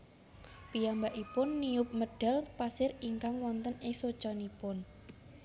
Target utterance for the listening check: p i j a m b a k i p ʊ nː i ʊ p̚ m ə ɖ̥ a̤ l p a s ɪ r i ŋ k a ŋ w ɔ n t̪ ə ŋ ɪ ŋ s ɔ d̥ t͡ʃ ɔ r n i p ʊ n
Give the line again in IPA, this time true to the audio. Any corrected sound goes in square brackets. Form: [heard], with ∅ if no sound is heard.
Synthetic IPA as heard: p i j a m b a [ʔ] i p ʊ nː i ʊ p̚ m ə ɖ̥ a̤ l p a s ɪ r i ŋ k a ŋ w ɔ n t̪ ə [n] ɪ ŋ s [o] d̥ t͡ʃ ɔ [∅] n i p ʊ n